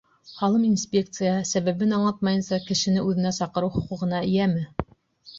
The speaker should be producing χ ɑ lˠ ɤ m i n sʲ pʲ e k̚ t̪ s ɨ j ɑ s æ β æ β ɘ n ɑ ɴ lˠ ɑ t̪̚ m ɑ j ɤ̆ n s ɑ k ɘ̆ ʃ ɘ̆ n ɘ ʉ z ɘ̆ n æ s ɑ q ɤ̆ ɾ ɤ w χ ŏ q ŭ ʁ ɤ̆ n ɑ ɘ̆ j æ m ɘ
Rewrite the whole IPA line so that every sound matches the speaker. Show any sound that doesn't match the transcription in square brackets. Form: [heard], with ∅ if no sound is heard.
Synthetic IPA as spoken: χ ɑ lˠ ɤ m i n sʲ pʲ e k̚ t̪ s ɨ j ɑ s æ β æ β ɘ n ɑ ɴ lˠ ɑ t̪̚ m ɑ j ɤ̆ n s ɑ k ɘ̆ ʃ ɘ̆ n ɘ ʉ [ð] ɘ̆ n æ s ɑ q ɤ̆ ɾ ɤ w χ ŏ q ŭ ʁ ɤ̆ n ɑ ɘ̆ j æ m ɘ